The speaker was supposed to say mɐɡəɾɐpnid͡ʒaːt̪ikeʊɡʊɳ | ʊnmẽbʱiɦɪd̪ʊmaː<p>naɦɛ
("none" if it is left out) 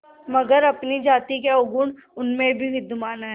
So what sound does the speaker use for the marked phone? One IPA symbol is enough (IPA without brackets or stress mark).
none